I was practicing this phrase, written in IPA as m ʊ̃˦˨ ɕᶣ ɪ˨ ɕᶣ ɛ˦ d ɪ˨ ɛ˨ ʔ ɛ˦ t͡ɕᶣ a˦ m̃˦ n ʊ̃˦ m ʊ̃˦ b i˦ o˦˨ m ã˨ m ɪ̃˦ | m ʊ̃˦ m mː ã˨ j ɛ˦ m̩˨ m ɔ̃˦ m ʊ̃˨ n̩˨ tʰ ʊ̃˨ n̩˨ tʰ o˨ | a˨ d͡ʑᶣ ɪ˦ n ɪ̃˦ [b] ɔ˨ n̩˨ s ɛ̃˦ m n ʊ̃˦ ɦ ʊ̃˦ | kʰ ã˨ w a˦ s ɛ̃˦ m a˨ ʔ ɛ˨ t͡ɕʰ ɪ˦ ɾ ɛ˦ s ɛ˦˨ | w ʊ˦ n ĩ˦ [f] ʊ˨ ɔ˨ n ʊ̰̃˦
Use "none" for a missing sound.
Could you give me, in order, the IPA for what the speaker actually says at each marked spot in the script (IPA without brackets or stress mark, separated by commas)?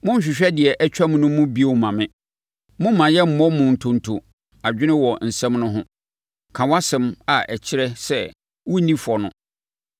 w, f